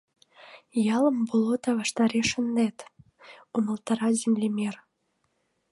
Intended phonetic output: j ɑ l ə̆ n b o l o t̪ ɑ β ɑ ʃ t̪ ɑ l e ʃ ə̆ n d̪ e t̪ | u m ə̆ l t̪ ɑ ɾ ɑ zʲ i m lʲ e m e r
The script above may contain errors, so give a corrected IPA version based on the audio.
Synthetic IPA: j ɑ l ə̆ m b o l o t̪ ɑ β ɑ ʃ t̪ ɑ ɾ e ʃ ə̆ n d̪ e t̪ | u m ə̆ l t̪ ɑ ɾ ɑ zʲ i m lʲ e m e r